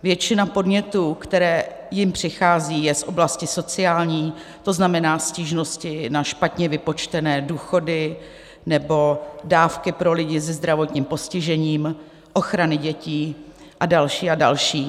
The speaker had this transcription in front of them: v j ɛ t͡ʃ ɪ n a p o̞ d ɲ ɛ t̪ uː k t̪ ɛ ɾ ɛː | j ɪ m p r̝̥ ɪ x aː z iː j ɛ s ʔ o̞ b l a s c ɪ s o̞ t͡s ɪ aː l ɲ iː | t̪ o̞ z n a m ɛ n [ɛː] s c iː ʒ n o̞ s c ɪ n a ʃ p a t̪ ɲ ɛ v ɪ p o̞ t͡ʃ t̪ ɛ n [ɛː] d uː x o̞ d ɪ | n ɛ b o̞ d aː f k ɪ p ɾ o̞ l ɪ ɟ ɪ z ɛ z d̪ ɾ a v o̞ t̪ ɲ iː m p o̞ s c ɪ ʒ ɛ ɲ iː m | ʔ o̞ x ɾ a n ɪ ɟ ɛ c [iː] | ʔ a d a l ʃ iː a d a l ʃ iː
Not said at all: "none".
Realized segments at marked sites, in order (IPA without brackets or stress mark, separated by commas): aː, ɛː, iː